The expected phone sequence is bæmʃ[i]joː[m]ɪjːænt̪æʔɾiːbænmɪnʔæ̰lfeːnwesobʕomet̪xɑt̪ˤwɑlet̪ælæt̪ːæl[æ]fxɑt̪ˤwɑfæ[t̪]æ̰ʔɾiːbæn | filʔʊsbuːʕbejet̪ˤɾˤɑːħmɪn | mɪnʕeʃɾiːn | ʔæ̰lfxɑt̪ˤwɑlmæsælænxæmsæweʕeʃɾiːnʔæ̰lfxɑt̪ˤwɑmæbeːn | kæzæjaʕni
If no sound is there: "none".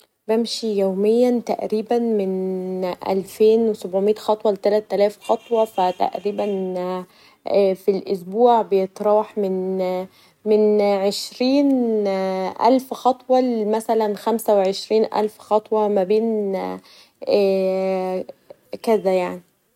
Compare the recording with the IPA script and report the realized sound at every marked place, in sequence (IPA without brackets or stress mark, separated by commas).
i, m, æː, t̪